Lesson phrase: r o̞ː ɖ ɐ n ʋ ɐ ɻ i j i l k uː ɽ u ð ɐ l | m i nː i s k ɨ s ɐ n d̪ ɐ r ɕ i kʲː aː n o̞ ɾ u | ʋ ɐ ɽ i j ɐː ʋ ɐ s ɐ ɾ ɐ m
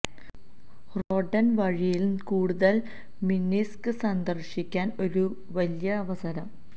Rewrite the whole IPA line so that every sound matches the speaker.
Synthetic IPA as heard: r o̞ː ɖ ɐ n ʋ ɐ ɻ i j i l k uː ɽ u ð ɐ l | m i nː i s k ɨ s ɐ n d̪ ɐ r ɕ i kʲː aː n o̞ ɾ u | ʋ ɐ l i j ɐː ʋ ɐ s ɐ ɾ ɐ m